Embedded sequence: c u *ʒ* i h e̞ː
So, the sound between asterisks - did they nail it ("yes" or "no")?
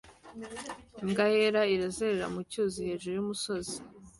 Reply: no